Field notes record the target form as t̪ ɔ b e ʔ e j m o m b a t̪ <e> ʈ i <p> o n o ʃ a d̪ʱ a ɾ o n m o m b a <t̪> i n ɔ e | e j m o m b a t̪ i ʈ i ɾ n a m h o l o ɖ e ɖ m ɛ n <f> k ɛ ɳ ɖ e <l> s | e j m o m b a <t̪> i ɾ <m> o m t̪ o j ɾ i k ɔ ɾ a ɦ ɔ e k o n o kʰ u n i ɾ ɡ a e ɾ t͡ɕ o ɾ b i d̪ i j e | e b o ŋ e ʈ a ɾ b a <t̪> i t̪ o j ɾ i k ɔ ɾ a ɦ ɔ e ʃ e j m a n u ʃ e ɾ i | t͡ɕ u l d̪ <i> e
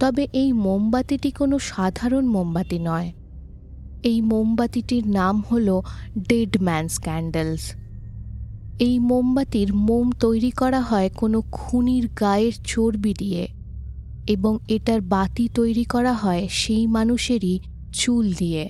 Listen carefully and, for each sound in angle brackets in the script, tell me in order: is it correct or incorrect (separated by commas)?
incorrect, incorrect, correct, incorrect, correct, correct, correct, correct, correct